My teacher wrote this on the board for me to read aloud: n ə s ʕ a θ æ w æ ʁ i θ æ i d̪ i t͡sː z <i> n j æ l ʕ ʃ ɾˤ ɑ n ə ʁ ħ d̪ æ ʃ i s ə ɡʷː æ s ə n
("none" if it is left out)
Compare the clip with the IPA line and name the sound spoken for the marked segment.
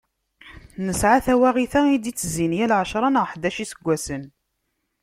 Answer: i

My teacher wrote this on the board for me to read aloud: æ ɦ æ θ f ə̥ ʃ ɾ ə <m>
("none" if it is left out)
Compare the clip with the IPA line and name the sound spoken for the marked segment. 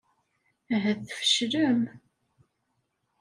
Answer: m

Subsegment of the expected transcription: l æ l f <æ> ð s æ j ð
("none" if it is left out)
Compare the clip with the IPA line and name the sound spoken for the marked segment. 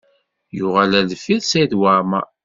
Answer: i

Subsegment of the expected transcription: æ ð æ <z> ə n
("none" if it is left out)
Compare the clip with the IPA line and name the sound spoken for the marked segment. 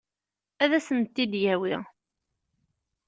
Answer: s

